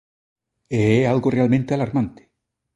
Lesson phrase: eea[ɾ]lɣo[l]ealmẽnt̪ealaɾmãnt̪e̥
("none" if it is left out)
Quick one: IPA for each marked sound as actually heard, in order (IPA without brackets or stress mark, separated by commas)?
none, r